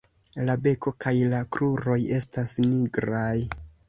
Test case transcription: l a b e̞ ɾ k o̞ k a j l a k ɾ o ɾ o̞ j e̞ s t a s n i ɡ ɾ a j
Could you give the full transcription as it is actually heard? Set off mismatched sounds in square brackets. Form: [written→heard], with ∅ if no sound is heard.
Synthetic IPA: l a b e̞ [ɾ→∅] k o̞ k a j l a k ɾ [o→u] ɾ o̞ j e̞ s t a s n i ɡ ɾ a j